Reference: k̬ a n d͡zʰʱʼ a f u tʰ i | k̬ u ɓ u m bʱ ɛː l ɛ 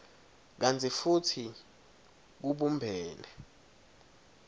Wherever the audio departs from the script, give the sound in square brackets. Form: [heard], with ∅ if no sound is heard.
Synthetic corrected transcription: k̬ a n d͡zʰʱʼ [i] f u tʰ i | k̬ u ɓ u m bʱ ɛː l ɛ